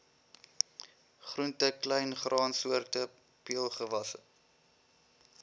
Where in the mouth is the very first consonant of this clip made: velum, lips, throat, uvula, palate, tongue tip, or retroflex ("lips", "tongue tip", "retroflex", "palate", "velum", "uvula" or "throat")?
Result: uvula